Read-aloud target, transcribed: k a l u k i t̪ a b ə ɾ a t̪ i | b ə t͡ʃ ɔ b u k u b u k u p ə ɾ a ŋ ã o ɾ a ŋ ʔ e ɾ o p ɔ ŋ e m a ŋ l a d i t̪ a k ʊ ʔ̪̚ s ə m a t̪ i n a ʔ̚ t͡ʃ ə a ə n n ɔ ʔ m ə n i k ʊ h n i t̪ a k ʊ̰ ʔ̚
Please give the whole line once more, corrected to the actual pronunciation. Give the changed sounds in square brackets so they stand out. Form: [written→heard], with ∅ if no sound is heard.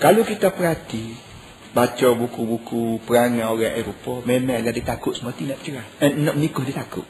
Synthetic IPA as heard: k a l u k i t̪ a [b→p] ə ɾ a t̪ i | b [ə→a] t͡ʃ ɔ b u k u b u k u p ə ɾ a ŋ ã o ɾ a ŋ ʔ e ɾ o p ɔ [ŋ→m] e m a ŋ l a d i t̪ a k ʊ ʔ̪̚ s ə m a t̪ i n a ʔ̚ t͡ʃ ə a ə n n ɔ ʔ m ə n i k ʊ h [n→d] i t̪ a k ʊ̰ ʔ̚